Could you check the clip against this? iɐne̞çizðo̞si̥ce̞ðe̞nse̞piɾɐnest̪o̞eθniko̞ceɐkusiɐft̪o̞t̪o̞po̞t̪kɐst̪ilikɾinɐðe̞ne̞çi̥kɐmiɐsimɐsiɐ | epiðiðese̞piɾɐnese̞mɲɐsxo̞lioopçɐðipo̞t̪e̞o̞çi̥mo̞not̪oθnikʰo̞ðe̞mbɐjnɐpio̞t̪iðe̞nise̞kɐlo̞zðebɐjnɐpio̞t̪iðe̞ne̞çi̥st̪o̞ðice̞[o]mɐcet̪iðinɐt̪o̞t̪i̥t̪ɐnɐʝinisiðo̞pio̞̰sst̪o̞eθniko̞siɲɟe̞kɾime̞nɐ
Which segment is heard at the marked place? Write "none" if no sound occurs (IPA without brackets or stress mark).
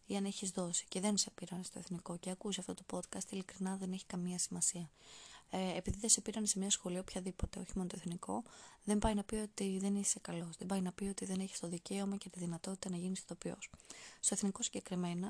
o